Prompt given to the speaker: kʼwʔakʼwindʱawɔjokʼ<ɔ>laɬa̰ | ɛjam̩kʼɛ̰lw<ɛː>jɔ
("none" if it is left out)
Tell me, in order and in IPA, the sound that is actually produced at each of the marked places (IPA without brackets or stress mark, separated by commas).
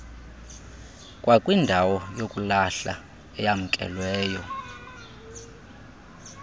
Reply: u, ɛː